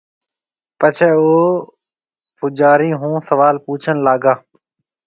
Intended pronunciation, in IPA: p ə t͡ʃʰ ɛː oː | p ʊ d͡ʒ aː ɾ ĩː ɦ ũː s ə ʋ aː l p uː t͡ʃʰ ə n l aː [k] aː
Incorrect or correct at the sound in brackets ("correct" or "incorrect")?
incorrect